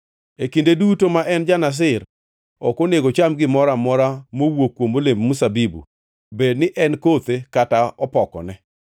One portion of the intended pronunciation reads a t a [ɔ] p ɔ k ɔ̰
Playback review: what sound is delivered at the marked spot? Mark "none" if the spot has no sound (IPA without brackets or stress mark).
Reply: ɔ